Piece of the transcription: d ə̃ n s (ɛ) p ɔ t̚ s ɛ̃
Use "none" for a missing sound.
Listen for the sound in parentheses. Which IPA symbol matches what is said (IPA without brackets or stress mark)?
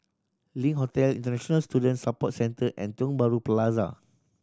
a